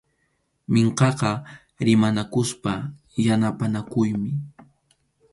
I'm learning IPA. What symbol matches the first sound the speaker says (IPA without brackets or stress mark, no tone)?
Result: m